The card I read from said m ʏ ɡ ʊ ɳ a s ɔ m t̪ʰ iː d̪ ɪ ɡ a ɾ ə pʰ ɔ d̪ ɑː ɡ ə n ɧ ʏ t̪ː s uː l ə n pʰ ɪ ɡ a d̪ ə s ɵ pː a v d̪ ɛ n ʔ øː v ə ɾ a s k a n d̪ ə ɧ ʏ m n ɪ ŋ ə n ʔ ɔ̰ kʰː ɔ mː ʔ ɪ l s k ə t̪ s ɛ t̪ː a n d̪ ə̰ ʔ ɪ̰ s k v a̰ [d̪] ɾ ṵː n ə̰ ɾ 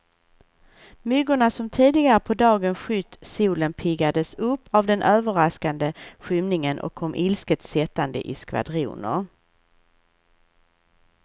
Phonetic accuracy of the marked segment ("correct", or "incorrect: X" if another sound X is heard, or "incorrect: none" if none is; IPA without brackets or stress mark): correct